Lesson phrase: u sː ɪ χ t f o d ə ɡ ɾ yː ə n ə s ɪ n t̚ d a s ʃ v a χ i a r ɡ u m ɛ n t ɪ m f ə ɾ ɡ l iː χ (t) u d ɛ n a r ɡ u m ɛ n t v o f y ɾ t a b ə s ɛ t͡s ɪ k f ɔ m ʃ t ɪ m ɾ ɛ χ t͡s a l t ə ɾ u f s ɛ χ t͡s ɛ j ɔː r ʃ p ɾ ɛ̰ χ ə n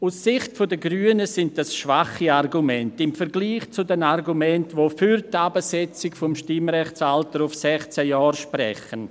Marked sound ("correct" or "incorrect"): incorrect